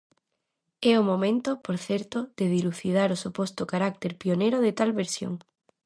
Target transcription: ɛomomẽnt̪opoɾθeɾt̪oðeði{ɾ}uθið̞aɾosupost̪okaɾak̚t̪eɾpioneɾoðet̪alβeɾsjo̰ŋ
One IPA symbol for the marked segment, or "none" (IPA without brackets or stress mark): l